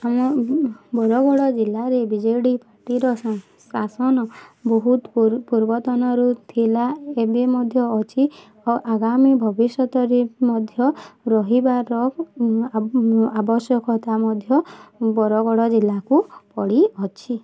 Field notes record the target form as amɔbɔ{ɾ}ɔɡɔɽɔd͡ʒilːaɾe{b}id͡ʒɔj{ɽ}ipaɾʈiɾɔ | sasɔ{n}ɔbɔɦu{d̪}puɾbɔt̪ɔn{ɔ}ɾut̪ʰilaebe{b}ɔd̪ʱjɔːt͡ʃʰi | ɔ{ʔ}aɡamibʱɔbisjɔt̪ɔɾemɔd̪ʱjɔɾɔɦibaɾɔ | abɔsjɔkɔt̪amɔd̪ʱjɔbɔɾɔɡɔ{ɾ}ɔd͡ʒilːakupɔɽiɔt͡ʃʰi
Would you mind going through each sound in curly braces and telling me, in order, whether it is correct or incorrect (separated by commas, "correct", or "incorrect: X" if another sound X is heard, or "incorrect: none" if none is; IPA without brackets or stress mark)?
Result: correct, correct, correct, correct, incorrect: t̪, correct, incorrect: m, correct, incorrect: ɽ